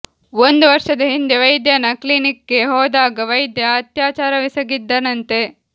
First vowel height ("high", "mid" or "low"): mid